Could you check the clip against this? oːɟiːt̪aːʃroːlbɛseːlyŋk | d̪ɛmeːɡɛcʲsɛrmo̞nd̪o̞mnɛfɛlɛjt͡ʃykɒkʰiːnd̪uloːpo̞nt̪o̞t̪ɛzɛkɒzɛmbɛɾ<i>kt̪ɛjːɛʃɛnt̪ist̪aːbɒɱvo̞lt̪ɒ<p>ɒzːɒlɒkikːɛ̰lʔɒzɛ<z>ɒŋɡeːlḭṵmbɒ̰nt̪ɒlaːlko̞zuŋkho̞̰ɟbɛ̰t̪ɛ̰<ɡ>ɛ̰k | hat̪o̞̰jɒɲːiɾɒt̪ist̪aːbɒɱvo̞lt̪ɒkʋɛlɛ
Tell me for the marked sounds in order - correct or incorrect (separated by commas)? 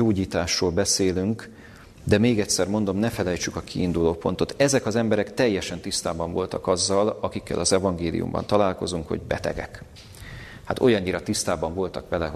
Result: incorrect, incorrect, incorrect, correct